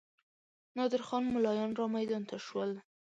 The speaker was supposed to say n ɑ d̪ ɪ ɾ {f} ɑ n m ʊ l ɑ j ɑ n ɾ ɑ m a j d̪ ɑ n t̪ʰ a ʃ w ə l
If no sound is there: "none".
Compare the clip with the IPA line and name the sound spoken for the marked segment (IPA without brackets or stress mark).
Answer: x